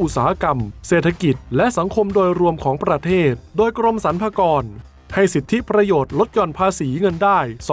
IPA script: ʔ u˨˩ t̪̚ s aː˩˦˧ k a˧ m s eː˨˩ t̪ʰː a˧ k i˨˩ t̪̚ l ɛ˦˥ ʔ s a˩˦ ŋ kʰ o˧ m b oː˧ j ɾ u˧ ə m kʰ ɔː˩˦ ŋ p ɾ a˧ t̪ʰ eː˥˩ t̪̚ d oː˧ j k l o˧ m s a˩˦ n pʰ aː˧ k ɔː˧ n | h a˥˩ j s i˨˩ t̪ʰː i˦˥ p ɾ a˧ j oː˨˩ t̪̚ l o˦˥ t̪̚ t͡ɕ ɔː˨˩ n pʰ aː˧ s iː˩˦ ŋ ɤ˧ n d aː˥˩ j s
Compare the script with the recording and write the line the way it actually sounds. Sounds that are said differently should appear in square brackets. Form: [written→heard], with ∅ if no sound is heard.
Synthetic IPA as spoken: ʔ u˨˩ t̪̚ s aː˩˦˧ k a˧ m s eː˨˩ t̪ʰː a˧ k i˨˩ t̪̚ l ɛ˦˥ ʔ s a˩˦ ŋ kʰ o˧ m [b→d] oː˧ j ɾ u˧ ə m kʰ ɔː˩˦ ŋ p ɾ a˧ t̪ʰ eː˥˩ t̪̚ d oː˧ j k [l→ɾ] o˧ m s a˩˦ n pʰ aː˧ k ɔː˧ n | h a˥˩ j s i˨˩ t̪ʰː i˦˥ p ɾ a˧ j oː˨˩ t̪̚ l o˦˥ t̪̚ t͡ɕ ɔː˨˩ n pʰ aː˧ s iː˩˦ ŋ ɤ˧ n d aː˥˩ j s